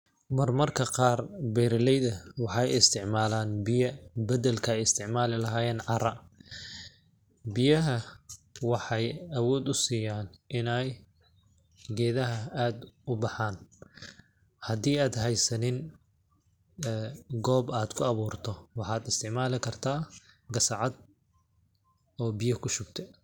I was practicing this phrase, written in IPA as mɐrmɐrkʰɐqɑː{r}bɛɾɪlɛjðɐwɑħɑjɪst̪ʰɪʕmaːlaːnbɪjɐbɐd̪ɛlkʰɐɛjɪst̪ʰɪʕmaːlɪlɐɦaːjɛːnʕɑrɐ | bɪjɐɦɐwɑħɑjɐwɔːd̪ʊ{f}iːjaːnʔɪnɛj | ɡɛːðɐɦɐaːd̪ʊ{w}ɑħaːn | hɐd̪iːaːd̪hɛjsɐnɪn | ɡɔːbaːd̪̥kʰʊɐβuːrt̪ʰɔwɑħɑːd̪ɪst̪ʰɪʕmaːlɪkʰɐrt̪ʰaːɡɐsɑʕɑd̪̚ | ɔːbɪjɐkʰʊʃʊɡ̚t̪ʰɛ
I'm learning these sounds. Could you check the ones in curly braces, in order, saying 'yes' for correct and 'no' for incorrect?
yes, no, no

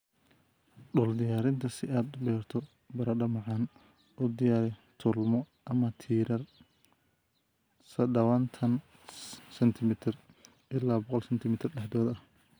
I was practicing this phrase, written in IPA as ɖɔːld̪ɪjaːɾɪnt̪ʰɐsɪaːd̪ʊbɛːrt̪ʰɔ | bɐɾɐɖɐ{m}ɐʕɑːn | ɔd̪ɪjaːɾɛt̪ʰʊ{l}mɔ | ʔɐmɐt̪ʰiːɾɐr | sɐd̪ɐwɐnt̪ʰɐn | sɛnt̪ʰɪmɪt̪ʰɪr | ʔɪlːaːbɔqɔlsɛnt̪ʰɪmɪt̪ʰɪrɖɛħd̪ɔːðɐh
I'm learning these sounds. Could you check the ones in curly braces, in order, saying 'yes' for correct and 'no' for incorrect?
yes, yes

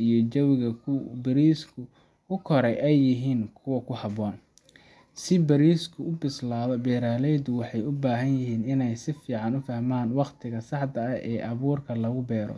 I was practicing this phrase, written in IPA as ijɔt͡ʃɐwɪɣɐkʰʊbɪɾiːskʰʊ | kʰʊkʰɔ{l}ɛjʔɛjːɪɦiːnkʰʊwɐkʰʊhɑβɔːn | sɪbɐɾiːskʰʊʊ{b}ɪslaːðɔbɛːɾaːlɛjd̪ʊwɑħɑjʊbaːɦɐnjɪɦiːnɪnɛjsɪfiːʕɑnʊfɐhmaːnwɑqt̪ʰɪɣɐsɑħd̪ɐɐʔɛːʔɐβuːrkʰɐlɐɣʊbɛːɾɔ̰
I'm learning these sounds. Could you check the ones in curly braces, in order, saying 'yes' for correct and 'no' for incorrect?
no, yes

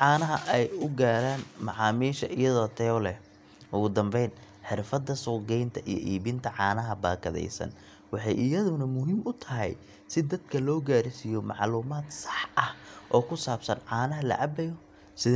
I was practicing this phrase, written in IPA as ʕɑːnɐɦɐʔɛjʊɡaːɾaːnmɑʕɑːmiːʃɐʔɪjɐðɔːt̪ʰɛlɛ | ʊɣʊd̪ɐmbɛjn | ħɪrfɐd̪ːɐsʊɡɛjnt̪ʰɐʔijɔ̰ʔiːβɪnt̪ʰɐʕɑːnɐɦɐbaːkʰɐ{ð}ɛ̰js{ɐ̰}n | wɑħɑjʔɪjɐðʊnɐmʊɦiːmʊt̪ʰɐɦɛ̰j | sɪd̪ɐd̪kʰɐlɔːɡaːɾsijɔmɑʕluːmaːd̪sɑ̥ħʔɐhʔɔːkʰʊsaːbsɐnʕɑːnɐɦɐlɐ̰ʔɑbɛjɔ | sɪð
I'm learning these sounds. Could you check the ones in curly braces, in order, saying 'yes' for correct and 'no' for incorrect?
yes, yes

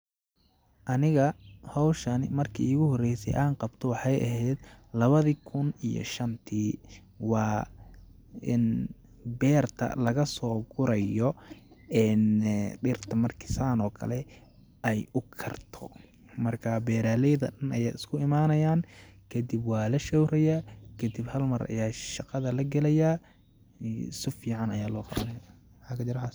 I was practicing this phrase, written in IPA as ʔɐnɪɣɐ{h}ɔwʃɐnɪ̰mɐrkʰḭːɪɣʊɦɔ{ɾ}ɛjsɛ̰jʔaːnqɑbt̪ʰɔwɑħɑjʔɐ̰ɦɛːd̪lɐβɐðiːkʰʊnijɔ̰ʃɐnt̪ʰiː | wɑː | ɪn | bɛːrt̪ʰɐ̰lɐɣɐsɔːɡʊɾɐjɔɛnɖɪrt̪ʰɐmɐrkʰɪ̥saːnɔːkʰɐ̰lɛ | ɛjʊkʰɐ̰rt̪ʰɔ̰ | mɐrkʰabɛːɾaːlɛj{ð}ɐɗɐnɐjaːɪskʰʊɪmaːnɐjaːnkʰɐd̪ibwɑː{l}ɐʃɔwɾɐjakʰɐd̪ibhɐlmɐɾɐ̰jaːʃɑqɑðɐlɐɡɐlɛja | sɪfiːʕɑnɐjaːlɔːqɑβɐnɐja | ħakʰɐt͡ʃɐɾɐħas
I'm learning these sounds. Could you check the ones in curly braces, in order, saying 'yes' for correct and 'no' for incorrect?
yes, no, yes, yes

